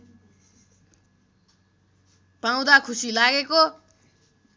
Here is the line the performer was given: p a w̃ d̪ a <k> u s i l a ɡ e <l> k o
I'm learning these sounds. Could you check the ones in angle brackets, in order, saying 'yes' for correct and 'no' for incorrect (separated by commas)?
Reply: no, no